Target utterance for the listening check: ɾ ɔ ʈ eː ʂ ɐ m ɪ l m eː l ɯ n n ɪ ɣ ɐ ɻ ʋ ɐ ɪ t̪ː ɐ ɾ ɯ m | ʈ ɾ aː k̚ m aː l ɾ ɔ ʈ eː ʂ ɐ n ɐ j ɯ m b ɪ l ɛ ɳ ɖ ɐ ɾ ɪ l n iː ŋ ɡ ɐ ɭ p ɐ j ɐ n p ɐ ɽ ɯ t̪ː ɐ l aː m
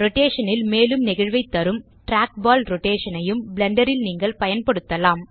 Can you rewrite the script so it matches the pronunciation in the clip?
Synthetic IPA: ɾ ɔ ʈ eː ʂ ɐ n ɪ l m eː l ɯ m n ɪ ɣ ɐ ɻ ʋ ɐ ɪ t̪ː ɐ ɾ ɯ m | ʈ ɾ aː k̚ b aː l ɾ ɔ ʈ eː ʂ ɐ n ɐ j ɯ m b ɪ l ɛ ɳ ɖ ɐ ɾ ɪ l n iː ŋ ɡ ɐ ɭ p ɐ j ɐ n p ɐ ɽ ɯ t̪ː ɐ l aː m